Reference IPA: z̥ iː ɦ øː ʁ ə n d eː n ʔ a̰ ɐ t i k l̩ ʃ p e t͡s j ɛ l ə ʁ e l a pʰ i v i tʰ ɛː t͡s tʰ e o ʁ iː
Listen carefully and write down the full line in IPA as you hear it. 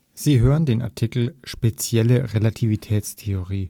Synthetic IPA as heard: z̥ iː ɦ øː ʁ ə n d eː n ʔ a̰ ɐ tʰ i k l̩ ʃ p e t͡s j ɛ l ə ʁ e l a tʰ i v i tʰ ɛː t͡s tʰ e o ʁ iː